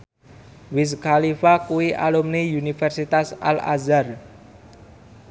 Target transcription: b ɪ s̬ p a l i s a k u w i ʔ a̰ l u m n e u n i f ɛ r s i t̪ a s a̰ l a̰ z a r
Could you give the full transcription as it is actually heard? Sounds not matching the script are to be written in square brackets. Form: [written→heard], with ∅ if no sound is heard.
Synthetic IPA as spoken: [b→w] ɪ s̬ [p→k] a l i [s→f] a k u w i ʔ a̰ l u m n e u n i f ɛ r s i t̪ a s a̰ l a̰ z a r